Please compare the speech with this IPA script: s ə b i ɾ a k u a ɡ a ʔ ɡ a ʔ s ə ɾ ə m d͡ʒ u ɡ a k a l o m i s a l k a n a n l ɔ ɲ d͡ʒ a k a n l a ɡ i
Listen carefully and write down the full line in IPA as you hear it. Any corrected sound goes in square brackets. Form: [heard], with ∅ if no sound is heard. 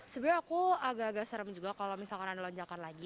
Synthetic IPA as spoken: s ə b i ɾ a k u a ɡ a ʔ ɡ a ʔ s ə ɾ ə m d͡ʒ u ɡ a k a l o m i s a l k a n a n l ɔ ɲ d͡ʒ a k a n l a ɡ i